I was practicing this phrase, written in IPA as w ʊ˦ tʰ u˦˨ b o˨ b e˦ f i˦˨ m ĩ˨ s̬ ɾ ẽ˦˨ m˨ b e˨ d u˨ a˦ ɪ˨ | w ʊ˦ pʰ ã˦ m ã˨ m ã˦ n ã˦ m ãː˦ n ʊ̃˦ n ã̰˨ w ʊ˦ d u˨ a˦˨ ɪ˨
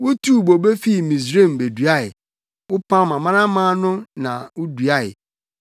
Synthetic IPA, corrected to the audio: w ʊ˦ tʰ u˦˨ b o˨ b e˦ f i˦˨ m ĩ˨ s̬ ɾ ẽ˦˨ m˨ b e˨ d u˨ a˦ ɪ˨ | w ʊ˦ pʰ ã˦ m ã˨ m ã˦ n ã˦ m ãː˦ n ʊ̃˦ n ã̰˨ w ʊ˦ d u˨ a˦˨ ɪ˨